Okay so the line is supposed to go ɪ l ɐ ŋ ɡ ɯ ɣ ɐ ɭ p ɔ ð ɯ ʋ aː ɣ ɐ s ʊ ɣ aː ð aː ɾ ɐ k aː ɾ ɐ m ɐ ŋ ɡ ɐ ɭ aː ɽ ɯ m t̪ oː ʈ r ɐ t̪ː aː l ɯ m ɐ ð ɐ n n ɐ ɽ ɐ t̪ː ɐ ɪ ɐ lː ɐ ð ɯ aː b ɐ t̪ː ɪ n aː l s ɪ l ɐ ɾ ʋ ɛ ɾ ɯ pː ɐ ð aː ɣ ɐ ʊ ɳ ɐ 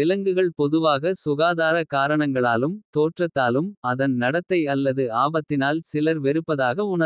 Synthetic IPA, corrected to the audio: ɪ l ɐ ŋ ɡ ɯ ɣ ɐ ɭ p ɔ ð ɯ ʋ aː ɣ ɐ s ʊ ɣ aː ð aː ɾ ɐ k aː ɾ ɐ ɳ ɐ ŋ ɡ ɐ ɭ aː l ɯ m t̪ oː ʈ r ɐ t̪ː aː l ɯ m ɐ ð ɐ n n ɐ ɽ ɐ t̪ː ɐ ɪ ɐ lː ɐ ð ɯ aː b ɐ t̪ː ɪ n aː l s ɪ l ɐ ɾ ʋ ɛ ɾ ɯ pː ɐ ð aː ɣ ɐ ʊ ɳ ɐ

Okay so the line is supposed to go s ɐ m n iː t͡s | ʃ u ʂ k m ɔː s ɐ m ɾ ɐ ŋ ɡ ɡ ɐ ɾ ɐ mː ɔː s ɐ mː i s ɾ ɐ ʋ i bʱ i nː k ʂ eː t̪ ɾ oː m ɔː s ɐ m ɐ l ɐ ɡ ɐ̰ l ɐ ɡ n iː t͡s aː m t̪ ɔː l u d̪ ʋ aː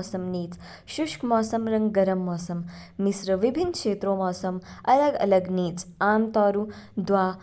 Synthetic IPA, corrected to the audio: s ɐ m n iː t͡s | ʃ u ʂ k m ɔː s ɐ m ɾ ɐ ŋ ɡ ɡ ɐ ɾ ɐ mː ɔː s ɐ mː i s ɾ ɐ ʋ i bʱ i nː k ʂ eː t̪ ɾ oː m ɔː s ɐ m ɐ l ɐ ɡ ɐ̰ l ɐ ɡ n iː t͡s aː m t̪ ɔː ɾ u d̪ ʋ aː

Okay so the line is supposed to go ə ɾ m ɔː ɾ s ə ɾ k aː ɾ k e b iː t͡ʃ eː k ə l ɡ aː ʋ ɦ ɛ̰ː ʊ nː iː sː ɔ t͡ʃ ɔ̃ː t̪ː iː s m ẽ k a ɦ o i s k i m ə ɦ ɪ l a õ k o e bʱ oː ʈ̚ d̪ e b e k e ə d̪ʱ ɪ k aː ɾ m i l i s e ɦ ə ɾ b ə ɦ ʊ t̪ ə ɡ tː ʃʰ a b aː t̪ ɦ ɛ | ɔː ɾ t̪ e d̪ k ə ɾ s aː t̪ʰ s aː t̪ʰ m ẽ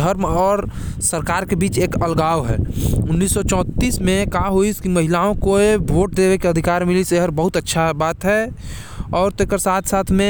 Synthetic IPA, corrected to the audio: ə ɾ m ɔː ɾ s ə ɾ k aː ɾ k e b iː t͡ʃ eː k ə l ɡ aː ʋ ɦ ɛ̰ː ʊ nː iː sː ɔ t͡ʃ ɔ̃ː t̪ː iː s m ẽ k a ɦ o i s k i m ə ɦ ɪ l a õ k o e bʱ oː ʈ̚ d̪ e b e k e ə d̪ʱ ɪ k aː ɾ m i l i s e ɦ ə ɾ b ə ɦ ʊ t̪ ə tː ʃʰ a b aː t̪ ɦ ɛ | ɔː ɾ t̪ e k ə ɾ s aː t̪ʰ s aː t̪ʰ m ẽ

